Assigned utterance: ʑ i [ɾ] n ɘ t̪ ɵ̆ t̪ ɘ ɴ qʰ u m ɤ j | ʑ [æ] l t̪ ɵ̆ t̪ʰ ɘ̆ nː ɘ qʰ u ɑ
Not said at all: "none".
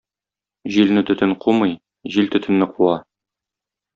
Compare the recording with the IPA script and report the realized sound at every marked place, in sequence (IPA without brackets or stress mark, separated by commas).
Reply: l, i